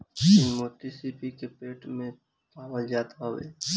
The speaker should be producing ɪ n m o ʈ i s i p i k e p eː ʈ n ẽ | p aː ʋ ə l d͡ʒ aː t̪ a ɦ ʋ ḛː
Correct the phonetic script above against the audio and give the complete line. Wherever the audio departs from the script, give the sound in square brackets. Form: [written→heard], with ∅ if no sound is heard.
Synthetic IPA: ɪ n m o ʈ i s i p i k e p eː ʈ [n→m] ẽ | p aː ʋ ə l d͡ʒ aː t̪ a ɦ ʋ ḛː